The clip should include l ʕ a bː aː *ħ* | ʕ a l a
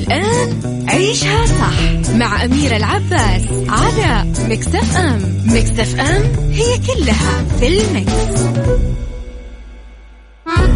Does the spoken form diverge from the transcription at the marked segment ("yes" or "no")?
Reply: yes